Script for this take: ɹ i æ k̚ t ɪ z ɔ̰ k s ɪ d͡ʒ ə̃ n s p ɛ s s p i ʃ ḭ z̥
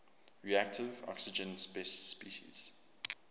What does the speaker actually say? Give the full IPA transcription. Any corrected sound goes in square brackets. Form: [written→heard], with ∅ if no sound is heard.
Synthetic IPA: ɹ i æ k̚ t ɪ [z→v] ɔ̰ k s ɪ d͡ʒ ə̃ n s p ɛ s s p i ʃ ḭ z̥